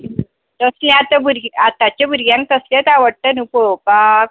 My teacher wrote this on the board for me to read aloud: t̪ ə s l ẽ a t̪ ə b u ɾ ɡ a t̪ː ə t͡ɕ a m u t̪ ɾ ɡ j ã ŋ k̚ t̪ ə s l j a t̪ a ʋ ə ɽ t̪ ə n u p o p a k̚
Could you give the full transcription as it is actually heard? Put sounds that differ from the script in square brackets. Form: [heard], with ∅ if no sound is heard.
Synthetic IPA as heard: t̪ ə s l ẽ a t̪ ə b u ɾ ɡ a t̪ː [a] t͡ɕ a [b] u [∅] ɾ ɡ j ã ŋ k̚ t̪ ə s l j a t̪ a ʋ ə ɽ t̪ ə n u p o p a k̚